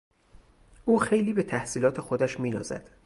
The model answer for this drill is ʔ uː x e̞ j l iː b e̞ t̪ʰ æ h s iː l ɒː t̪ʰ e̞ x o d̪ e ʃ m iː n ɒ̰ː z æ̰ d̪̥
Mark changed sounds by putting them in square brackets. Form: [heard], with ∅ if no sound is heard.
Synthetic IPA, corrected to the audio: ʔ uː x e̞ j l iː b e̞ t̪ʰ æ h s iː l ɒː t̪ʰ e̞ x o d̪ [æ] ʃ m iː n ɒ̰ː z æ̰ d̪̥